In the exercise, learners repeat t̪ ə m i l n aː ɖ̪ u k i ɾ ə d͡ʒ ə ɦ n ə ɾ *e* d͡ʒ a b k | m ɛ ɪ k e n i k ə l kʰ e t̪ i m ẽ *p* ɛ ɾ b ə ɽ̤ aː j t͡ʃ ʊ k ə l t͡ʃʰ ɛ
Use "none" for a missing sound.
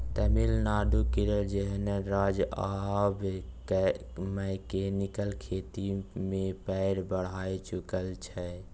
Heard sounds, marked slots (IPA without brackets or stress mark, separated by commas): a, p